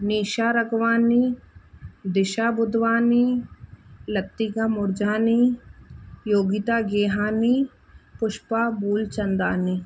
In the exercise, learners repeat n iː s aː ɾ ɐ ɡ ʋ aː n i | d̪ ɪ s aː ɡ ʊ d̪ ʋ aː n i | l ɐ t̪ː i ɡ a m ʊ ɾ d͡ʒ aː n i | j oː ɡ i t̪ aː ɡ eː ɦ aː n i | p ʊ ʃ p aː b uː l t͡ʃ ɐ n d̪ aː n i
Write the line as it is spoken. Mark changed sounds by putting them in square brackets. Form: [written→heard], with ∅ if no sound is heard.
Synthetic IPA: n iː [s→ʃ] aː ɾ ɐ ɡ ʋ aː n i | d̪ ɪ [s→ʃ] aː [ɡ→b] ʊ d̪ ʋ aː n i | l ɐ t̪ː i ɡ a m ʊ ɾ d͡ʒ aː n i | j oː ɡ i t̪ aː ɡ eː ɦ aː n i | p ʊ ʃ p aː b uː l t͡ʃ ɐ n d̪ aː n i